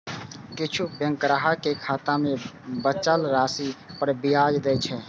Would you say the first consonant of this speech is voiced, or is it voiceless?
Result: voiceless